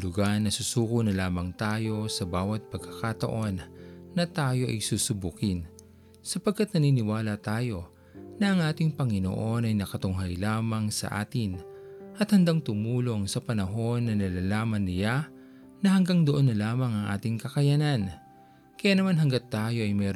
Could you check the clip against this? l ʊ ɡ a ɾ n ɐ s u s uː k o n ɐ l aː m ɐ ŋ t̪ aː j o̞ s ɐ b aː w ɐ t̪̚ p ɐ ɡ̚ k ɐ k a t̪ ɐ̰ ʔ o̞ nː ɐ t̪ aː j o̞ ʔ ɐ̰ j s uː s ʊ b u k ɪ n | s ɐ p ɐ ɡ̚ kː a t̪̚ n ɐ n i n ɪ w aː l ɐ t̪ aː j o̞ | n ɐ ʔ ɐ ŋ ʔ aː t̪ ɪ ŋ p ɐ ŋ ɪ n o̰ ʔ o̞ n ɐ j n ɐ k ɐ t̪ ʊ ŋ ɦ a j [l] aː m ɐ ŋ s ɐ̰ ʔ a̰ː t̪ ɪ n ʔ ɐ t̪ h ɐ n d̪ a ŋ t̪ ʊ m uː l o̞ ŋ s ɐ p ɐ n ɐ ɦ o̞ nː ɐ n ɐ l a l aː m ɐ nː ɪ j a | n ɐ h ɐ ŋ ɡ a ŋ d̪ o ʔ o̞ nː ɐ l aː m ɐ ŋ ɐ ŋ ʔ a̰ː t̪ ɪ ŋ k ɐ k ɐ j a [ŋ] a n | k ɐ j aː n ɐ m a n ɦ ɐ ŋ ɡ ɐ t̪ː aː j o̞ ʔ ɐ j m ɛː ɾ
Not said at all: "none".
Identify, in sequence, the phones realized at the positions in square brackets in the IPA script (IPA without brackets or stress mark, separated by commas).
l, n